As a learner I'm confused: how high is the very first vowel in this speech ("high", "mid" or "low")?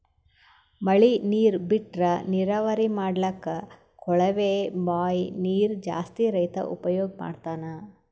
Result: low